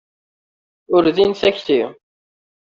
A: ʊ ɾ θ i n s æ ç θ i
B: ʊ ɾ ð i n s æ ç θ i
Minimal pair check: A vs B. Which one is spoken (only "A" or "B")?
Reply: B